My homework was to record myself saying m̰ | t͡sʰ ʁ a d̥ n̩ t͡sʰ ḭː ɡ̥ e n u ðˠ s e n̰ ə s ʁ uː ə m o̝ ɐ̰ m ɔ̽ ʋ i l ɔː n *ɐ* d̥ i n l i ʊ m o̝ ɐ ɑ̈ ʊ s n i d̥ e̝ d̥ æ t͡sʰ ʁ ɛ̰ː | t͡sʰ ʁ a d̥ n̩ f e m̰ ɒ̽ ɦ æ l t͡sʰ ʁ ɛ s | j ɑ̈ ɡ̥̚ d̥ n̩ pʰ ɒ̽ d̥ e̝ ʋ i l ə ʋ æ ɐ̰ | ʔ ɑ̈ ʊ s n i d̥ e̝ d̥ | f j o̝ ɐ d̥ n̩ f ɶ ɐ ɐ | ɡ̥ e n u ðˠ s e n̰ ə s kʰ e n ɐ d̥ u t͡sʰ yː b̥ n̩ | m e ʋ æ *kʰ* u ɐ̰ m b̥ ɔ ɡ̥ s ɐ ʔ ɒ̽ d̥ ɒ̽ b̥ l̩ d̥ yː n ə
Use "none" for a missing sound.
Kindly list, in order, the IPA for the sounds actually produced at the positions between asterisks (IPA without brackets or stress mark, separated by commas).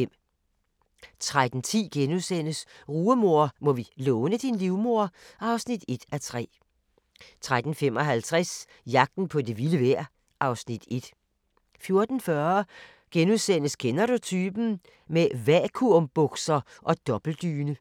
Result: ə, kʰ